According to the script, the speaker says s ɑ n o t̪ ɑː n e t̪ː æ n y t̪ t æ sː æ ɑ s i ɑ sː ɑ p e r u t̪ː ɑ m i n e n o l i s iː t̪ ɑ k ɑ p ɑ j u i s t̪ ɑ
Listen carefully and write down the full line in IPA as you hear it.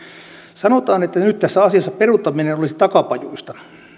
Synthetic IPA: s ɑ n o t̪ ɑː n e t̪ː æ n y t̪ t æ sː æ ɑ s i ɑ sː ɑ p e r u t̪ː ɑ m i n e n o l i s i t̪ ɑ k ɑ p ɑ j u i s t̪ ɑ